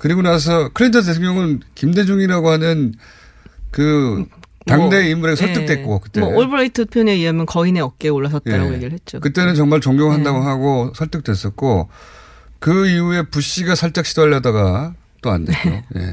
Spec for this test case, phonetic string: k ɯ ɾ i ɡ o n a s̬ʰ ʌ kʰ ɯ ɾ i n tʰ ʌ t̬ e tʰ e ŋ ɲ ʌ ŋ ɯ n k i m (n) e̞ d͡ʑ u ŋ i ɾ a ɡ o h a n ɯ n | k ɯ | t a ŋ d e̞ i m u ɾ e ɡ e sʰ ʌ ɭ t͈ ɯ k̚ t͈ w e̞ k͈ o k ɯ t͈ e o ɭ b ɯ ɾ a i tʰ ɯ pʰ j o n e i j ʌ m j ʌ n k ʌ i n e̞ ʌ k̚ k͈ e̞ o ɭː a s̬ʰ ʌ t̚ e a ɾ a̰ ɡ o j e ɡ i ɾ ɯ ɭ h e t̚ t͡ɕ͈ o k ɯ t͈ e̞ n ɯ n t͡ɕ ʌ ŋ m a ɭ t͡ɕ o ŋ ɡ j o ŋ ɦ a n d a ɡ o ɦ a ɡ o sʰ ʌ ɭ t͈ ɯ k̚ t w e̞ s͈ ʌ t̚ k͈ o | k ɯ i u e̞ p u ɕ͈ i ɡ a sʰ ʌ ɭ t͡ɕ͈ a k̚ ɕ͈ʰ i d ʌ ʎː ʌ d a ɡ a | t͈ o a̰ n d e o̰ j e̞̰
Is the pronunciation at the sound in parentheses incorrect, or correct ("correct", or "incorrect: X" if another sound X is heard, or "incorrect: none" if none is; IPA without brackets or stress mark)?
incorrect: d